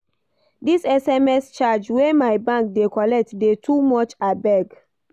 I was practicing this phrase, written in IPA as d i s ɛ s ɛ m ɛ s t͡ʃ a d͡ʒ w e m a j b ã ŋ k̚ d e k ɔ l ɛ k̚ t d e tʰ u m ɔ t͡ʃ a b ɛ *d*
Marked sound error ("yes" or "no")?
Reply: yes